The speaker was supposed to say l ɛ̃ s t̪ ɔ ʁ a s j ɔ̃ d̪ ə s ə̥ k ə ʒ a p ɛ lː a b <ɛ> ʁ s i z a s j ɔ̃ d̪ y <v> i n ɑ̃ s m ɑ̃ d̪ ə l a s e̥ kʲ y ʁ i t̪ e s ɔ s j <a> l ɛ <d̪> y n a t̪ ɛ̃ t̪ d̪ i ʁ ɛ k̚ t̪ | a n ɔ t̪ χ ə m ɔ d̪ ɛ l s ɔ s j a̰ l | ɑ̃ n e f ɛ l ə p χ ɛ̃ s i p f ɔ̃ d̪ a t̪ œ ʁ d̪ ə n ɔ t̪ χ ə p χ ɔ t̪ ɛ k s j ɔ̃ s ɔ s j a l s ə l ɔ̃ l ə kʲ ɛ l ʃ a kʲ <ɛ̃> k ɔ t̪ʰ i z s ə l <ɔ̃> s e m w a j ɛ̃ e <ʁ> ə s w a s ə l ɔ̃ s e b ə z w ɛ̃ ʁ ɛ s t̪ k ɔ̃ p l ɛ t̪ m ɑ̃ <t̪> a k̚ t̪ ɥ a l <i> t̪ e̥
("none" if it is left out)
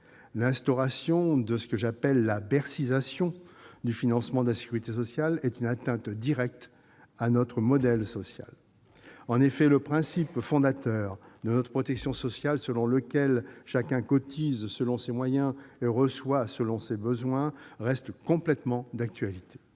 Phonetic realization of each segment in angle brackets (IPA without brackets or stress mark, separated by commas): ɛ, f, a, t̪, ɛ̃, ɔ̃, ʁ, d̪, i